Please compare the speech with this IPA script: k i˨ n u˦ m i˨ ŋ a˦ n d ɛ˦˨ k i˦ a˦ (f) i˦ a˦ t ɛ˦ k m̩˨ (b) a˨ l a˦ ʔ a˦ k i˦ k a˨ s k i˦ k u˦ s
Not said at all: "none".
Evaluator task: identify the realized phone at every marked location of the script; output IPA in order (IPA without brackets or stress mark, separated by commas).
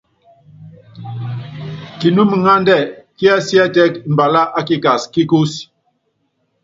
s, b